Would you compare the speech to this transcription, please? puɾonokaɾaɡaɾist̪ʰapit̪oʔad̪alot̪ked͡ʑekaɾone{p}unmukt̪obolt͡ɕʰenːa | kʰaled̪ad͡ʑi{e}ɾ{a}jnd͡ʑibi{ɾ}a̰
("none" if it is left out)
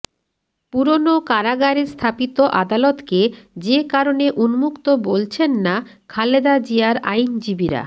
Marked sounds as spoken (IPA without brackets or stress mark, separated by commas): ʔ, a, a, ɾ